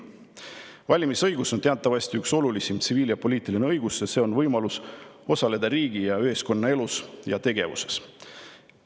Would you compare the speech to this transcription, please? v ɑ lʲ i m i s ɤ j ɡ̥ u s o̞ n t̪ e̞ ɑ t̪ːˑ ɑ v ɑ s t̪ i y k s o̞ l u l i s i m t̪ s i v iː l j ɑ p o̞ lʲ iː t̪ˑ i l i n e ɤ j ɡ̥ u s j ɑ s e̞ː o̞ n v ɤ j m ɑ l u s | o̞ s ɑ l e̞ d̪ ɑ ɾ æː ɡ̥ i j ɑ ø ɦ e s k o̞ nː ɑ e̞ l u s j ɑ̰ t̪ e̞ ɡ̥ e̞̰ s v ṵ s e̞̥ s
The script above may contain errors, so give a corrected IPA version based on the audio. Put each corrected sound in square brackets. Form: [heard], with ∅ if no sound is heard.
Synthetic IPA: v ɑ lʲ i m i s ɤ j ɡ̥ u s o̞ n t̪ e̞ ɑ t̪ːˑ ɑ v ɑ s t̪ i y k s o̞ l u l i s i m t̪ s i v iː l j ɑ p o̞ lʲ iː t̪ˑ i l i n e ɤ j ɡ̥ u s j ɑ s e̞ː o̞ n v ɤ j m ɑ l u s | o̞ s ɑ l e̞ d̪ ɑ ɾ [iː] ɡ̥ i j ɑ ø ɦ e s k o̞ nː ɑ e̞ l u s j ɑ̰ t̪ e̞ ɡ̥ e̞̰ [∅] v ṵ s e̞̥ s